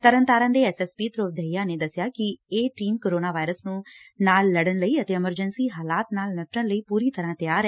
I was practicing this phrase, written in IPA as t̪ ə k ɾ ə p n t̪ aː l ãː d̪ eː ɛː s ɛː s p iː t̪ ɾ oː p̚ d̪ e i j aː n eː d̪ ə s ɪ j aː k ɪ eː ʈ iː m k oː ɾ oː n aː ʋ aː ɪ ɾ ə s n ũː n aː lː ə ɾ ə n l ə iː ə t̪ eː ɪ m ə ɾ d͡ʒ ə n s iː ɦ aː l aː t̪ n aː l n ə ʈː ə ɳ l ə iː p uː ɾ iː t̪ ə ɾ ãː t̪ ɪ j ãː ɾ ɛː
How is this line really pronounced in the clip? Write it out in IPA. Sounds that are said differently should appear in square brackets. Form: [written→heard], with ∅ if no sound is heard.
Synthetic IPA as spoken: t̪ ə [k→∅] ɾ ə [p→∅] n t̪ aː [l→ɾ] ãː d̪ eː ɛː s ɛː s p iː t̪ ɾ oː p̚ d̪ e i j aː n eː d̪ ə s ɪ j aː k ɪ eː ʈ iː m k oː ɾ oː n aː ʋ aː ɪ ɾ ə s n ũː n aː lː ə [ɾ→ɽ] ə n l ə iː ə t̪ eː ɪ m ə ɾ d͡ʒ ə n s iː ɦ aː l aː t̪ n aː l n ə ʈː ə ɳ l ə iː p uː ɾ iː t̪ ə ɾ ãː t̪ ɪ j [ãː→aː] ɾ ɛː